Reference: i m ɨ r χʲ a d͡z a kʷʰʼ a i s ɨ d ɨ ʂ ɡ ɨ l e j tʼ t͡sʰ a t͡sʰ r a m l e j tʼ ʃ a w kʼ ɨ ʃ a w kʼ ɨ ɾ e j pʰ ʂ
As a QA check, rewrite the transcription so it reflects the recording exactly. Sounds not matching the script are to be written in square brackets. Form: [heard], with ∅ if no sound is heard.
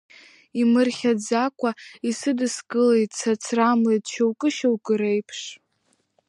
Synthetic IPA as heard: i m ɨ r χʲ a d͡z a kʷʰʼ a i s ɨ d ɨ [s] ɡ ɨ l e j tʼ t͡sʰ a t͡sʰ r a m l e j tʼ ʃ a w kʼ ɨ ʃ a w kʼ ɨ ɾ e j pʰ ʂ